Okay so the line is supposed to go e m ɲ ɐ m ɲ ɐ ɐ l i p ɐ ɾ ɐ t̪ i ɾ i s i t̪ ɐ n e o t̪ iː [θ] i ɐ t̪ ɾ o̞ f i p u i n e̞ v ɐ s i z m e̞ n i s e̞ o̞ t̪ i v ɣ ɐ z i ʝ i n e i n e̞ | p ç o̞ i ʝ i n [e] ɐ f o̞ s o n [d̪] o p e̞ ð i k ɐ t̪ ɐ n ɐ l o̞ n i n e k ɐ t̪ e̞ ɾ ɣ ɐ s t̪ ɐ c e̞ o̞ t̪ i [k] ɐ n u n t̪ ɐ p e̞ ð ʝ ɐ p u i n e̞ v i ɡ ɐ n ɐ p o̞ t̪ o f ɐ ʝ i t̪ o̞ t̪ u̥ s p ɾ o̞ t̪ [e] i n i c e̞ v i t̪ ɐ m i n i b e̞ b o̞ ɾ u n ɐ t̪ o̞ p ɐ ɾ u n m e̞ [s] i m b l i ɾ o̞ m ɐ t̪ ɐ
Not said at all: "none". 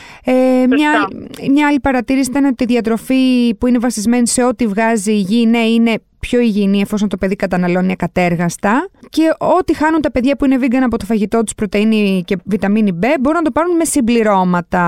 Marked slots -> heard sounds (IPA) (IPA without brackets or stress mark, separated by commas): ð, i, t̪, x, e, s